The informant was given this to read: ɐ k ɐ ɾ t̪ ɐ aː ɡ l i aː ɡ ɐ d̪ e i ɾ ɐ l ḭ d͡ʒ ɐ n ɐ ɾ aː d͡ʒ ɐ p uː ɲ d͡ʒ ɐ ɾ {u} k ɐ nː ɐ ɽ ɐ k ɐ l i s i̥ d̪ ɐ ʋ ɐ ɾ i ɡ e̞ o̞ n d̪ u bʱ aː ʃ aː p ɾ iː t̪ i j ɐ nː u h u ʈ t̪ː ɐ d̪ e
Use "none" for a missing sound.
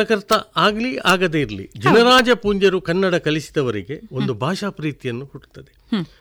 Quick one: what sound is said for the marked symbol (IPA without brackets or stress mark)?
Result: u